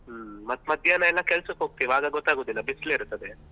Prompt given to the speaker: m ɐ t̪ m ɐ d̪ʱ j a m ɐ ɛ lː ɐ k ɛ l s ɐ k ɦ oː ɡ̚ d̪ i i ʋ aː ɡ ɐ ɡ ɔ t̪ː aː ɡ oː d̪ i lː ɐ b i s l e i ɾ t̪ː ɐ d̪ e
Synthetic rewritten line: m ɐ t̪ m ɐ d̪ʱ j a n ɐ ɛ lː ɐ k ɛ l s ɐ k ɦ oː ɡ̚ t̪ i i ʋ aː ɡ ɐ ɡ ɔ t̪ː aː ɡ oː d̪ i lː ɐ b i s l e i ɾ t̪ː ɐ d̪ e